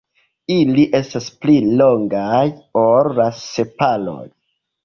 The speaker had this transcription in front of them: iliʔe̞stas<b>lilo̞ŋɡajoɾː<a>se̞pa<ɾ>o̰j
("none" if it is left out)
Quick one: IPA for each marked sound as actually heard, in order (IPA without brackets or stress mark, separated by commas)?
p, a, l